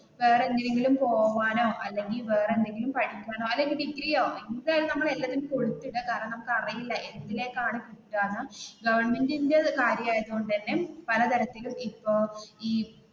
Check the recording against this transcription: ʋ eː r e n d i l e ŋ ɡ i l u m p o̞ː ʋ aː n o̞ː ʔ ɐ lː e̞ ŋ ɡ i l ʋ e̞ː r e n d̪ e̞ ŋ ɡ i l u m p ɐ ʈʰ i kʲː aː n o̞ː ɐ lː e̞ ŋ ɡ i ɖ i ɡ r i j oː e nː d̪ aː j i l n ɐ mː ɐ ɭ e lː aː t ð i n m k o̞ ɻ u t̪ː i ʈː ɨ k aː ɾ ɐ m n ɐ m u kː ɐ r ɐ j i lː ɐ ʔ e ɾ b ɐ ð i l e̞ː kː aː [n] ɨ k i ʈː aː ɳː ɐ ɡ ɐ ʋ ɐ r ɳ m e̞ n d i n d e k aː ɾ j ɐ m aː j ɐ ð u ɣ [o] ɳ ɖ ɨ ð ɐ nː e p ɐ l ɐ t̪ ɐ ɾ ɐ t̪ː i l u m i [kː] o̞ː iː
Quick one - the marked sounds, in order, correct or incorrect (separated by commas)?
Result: incorrect, correct, incorrect